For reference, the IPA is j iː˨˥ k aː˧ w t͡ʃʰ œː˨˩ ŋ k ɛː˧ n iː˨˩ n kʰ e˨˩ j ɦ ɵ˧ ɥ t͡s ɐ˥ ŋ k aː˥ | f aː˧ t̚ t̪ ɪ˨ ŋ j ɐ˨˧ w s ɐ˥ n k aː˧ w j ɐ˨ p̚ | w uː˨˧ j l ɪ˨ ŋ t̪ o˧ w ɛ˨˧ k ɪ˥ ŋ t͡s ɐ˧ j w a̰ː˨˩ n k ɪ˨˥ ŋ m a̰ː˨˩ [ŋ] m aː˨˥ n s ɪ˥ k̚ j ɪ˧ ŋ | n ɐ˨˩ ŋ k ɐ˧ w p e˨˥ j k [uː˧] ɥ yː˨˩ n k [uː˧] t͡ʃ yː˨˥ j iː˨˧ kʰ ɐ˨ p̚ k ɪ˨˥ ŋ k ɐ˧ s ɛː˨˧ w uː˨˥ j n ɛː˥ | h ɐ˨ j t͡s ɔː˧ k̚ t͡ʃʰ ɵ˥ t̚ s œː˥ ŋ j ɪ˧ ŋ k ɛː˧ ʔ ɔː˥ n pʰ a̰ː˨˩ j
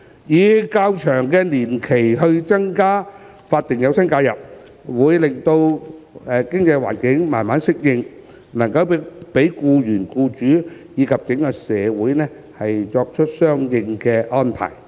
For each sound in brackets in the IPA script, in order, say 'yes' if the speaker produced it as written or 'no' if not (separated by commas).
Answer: no, yes, yes